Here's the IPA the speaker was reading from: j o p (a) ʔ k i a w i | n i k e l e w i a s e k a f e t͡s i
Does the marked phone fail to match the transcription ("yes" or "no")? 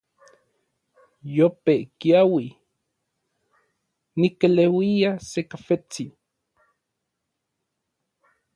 yes